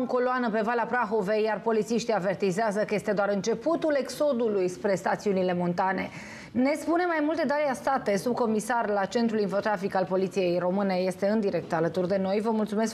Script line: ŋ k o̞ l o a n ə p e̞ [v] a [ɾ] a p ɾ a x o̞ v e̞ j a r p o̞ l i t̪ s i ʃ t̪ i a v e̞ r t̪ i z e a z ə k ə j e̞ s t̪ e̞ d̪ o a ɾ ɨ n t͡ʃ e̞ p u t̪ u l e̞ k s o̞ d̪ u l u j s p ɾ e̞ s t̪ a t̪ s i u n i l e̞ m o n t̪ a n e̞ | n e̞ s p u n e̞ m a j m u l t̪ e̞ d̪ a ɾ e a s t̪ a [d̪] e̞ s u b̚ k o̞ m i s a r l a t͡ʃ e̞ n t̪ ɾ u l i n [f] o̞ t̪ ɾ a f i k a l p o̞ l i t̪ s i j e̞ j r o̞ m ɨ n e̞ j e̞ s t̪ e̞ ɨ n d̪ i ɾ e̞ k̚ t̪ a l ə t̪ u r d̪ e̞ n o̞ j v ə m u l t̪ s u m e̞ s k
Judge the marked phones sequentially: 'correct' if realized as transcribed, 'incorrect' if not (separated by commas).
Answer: correct, incorrect, incorrect, correct